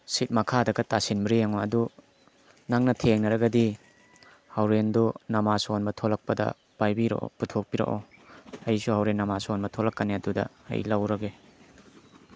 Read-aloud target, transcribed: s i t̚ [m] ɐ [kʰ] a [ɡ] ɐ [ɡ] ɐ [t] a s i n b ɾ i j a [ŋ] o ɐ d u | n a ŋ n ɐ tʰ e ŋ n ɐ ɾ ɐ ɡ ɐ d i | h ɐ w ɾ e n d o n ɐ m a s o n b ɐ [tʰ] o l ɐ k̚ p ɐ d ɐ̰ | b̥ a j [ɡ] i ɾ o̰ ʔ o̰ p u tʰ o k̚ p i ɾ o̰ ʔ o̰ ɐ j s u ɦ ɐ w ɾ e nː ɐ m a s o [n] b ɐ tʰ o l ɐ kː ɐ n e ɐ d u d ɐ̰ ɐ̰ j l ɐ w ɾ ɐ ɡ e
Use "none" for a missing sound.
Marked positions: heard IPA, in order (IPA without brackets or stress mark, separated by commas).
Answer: m, kʰ, d, ɡ, t, ŋ, tʰ, b, n